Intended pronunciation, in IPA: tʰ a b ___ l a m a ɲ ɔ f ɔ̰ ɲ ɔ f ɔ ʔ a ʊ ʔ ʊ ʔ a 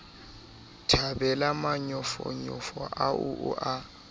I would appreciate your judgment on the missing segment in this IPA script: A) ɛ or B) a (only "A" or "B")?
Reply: A